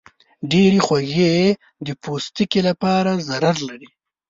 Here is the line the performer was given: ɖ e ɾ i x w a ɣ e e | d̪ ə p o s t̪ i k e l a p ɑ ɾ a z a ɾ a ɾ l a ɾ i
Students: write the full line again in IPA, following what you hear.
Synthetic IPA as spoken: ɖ e ɾ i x w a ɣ e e | d̪ ə p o s t̪ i k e l a p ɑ ɾ a z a ɾ a ɾ l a ɾ i